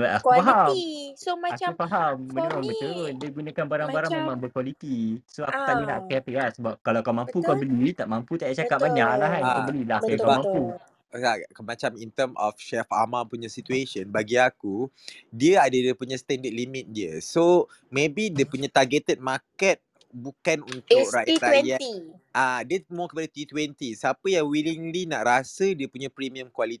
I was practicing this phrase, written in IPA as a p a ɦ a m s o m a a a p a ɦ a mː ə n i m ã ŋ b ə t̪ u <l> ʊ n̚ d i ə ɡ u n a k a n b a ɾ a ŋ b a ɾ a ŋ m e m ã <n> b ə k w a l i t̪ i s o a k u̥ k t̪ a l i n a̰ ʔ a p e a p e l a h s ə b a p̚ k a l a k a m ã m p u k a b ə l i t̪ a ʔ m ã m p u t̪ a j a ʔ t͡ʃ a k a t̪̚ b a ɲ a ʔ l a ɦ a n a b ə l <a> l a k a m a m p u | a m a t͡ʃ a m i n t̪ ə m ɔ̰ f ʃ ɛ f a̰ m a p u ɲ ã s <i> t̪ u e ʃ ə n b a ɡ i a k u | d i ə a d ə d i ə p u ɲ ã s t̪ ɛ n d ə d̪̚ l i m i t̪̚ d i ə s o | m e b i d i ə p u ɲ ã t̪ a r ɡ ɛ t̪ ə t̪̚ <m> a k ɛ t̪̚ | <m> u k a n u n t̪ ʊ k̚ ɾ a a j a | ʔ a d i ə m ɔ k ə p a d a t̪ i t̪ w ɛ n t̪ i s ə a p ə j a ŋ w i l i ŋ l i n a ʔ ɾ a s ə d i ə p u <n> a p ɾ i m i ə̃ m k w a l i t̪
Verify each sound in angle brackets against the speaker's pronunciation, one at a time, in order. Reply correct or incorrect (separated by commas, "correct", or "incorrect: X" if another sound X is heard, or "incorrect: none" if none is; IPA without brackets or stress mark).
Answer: incorrect: ɾ, incorrect: ŋ, incorrect: i, correct, correct, incorrect: b, incorrect: ɲ